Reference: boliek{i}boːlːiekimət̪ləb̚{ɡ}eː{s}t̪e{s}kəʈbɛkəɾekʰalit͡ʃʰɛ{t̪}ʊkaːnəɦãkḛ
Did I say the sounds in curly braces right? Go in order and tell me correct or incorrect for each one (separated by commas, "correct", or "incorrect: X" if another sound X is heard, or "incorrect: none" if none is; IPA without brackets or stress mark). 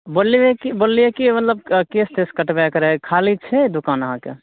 correct, incorrect: k, correct, correct, incorrect: d̪